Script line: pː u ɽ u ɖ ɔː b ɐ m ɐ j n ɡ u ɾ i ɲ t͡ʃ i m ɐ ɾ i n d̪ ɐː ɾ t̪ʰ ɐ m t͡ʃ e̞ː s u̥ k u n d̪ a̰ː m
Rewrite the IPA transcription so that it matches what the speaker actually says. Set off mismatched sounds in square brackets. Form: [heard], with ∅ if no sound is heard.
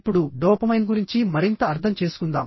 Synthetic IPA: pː u ɽ u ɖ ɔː [p] ɐ m ɐ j n ɡ u ɾ i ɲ t͡ʃ i m ɐ ɾ i n [t̪] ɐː ɾ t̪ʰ ɐ m t͡ʃ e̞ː s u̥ k u n d̪ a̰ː m